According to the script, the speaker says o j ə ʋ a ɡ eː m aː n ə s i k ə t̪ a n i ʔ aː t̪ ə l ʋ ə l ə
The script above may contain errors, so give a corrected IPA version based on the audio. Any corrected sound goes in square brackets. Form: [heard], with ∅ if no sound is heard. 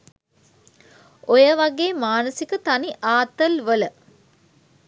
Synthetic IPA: o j ə ʋ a ɡ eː m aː n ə s i k ə t̪ a n i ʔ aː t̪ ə l ʋ ə l ə